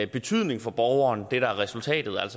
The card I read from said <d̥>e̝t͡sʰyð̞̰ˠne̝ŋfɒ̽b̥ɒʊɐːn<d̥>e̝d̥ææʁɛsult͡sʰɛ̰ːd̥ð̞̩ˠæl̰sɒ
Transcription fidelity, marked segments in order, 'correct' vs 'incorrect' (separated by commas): incorrect, correct